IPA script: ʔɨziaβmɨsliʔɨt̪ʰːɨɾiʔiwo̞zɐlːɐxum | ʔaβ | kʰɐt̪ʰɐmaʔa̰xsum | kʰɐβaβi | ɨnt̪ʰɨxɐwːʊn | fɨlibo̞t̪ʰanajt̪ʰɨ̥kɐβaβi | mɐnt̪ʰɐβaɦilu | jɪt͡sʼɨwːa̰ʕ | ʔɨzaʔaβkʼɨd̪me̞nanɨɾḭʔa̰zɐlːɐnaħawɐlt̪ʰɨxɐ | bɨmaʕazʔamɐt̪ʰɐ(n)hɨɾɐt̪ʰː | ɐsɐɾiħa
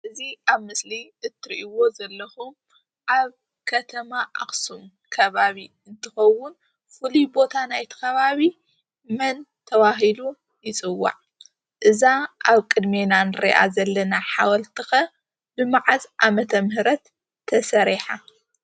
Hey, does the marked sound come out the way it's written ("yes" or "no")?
no